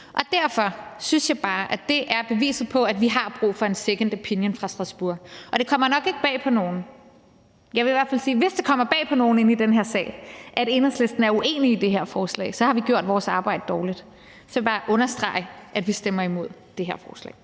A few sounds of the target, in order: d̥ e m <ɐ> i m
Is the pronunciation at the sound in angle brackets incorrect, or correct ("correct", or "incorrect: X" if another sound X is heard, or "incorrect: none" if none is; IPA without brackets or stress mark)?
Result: correct